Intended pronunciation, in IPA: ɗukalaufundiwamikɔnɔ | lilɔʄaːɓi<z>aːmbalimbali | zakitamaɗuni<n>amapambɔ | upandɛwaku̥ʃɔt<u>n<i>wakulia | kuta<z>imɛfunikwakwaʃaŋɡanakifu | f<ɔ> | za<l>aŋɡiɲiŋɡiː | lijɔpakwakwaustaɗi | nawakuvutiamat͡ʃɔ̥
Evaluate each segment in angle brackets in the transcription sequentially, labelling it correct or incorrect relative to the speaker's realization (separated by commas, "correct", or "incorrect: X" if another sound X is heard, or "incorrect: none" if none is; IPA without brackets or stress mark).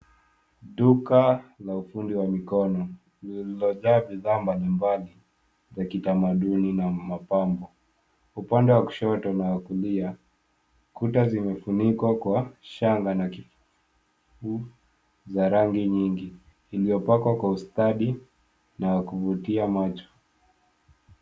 incorrect: ð, correct, incorrect: ɔ, incorrect: a, correct, incorrect: u, incorrect: ɾ